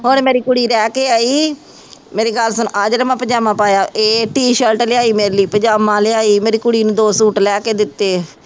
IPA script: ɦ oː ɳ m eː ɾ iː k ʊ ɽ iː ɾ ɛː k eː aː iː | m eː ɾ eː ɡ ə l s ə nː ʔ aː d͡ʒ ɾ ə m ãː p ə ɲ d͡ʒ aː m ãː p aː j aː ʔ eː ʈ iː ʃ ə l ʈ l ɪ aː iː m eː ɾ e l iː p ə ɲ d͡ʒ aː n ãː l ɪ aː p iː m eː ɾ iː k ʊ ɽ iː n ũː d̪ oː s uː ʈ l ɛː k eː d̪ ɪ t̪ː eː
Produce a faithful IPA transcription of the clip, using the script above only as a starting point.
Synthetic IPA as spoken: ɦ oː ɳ m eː ɾ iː k ʊ ɽ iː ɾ ɛː k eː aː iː | m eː ɾ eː ɡ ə l s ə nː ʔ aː d͡ʒ ɾ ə m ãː p ə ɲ d͡ʒ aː m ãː p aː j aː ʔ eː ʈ iː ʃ ə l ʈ l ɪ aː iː m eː ɾ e l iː p ə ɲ d͡ʒ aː m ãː l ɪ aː iː m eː ɾ iː k ʊ ɽ iː n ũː d̪ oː s uː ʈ l ɛː k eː d̪ ɪ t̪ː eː